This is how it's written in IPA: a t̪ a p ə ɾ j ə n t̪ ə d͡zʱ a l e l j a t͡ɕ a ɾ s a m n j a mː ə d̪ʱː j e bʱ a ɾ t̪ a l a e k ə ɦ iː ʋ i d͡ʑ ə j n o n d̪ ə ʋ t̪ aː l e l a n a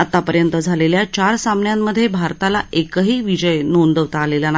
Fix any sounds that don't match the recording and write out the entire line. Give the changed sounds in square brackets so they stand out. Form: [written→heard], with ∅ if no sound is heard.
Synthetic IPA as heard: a t̪ a p ə ɾ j ə n t̪ ə d͡zʱ a l e l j a t͡ɕ a ɾ s a m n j a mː ə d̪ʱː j e bʱ a ɾ t̪ a l a e k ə ɦ iː ʋ i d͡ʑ ə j n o n d̪ ə ʋ t̪ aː l e l a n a